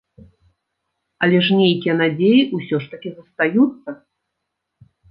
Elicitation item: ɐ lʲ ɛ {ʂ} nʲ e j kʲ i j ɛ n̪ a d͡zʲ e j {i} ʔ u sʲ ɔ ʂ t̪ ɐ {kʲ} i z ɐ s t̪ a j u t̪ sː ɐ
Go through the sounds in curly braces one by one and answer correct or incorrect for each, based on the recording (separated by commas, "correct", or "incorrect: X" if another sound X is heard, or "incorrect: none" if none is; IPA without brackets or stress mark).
correct, correct, correct